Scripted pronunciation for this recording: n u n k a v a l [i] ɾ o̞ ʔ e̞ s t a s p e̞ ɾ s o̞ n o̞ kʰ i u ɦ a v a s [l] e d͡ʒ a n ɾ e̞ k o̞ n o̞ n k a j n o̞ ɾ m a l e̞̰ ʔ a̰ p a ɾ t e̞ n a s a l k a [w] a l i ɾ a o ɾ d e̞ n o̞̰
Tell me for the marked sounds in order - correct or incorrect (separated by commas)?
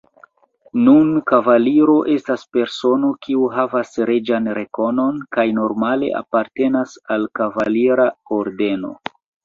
correct, incorrect, incorrect